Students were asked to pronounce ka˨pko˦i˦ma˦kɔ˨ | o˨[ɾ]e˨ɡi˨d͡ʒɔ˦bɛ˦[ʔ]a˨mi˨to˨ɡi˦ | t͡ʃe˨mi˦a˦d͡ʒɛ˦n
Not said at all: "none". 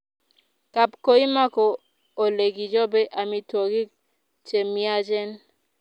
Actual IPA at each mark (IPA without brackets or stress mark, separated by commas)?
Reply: l, ʔ